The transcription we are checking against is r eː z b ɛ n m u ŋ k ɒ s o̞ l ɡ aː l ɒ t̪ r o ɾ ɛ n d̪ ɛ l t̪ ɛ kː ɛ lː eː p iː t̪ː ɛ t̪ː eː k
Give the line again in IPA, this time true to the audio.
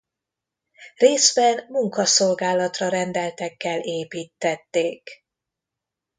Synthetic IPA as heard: r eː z b ɛ n m u ŋ k ɒ s o̞ l ɡ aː l ɒ t̪ r ɒ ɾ ɛ n d̪ ɛ l t̪ ɛ kː ɛ l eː p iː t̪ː ɛ t̪ː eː k